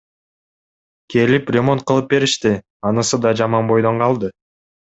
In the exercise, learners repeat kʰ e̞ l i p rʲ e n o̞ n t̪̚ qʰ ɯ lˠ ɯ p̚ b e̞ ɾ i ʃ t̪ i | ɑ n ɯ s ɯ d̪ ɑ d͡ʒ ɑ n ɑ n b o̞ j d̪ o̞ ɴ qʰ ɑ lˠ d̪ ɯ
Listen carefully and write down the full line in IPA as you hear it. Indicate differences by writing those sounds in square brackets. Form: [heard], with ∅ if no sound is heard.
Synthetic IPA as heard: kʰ e̞ l i p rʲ e [m] o̞ n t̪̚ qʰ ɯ lˠ ɯ p̚ b e̞ ɾ i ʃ t̪ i | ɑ n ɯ s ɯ d̪ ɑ d͡ʒ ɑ [m] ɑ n b o̞ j d̪ o̞ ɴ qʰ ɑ lˠ d̪ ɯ